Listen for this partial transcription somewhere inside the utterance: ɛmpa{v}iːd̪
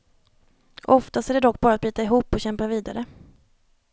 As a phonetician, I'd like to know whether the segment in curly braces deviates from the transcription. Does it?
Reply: no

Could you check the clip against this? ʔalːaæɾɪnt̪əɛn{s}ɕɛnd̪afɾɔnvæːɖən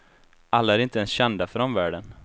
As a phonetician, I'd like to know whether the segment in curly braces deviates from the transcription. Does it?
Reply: no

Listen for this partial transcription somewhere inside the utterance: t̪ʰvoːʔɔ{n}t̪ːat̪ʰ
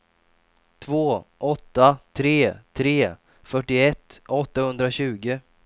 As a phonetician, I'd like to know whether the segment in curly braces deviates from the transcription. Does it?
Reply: yes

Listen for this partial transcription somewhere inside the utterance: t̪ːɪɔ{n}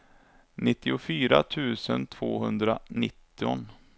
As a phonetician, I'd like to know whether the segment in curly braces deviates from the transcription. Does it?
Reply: no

